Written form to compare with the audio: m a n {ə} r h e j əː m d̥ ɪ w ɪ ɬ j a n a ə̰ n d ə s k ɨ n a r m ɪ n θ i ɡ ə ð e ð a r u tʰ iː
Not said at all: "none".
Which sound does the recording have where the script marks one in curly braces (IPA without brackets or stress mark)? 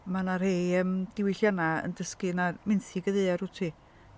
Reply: a